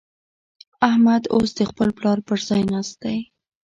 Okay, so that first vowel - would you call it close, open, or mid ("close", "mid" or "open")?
open